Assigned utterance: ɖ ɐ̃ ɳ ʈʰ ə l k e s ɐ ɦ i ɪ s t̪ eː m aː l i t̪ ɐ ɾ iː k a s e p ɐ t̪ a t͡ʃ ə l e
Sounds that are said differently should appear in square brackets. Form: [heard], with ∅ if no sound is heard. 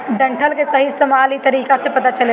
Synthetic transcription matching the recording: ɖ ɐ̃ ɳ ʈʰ ə l k e s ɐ ɦ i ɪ s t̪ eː m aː l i t̪ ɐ ɾ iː k a s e p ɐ t̪ a t͡ʃ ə l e